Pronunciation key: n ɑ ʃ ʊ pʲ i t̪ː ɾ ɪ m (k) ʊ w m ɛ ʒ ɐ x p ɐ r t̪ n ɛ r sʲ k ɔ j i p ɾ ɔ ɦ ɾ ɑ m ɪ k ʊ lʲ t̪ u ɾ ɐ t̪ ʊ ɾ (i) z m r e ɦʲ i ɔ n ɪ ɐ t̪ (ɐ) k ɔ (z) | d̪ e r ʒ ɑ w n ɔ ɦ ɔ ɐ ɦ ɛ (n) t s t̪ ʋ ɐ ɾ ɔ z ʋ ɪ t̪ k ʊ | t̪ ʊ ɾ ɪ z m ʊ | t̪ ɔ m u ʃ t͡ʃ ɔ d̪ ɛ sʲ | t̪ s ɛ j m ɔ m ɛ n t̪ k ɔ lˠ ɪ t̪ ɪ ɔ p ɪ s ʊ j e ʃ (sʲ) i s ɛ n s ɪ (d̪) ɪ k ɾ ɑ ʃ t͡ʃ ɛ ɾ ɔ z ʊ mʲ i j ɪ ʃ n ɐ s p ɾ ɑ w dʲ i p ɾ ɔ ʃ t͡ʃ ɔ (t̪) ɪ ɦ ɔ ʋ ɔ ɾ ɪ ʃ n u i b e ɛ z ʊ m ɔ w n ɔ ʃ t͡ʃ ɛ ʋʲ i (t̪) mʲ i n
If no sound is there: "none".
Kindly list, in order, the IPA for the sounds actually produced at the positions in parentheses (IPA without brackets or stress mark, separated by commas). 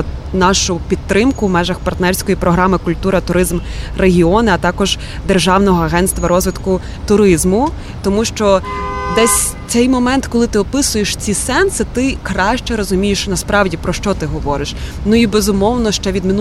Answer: k, ɪ, ɑ, ʒ, n, t͡sʲ, t̪, t̪, d̪